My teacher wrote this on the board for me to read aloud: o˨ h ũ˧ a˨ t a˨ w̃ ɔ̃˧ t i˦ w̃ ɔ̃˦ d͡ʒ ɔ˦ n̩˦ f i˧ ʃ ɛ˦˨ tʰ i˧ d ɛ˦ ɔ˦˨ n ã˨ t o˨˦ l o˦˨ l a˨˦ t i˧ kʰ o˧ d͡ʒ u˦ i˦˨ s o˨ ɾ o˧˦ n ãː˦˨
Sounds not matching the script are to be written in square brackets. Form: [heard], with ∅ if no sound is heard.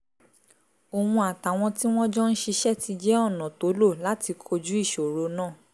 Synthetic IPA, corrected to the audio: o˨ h ũ˧ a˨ t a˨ w̃ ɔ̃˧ t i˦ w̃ ɔ̃˦ d͡ʒ ɔ˦ n̩˦ [ʃ] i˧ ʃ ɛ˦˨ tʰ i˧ [d͡ʒ] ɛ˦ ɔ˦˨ n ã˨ t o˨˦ l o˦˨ l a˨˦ t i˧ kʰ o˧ d͡ʒ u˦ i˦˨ [ʃ] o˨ ɾ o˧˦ n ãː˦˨